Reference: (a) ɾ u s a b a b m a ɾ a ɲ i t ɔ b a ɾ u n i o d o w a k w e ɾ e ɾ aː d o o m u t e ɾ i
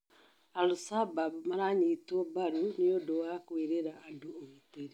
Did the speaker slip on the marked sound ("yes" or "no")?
no